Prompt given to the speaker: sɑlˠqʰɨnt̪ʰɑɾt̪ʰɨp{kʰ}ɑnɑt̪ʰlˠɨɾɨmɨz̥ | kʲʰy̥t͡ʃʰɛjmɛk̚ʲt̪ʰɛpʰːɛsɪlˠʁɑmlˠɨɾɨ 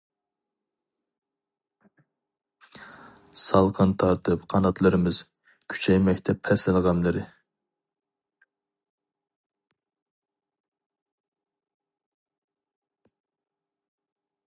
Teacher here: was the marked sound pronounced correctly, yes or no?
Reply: no